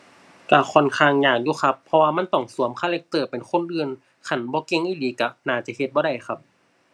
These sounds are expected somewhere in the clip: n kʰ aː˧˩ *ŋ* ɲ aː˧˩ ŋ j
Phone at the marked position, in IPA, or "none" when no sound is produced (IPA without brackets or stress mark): ŋ